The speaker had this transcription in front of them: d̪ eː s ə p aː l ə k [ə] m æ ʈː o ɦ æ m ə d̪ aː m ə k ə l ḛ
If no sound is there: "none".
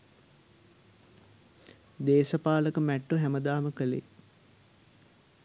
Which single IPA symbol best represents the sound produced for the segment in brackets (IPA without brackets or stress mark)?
ə